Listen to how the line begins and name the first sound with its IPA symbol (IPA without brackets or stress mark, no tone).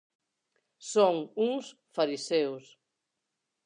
s